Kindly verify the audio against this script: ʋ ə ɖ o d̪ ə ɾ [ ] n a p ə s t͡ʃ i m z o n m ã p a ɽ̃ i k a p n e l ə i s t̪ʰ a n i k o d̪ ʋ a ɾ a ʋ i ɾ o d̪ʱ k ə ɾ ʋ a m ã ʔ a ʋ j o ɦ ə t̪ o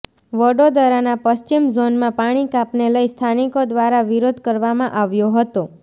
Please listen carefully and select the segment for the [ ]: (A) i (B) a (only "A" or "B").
B